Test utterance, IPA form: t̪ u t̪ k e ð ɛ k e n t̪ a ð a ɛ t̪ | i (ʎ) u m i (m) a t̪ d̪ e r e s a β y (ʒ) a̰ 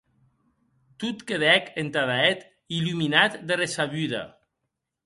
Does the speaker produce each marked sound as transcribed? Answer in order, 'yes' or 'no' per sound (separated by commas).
no, no, no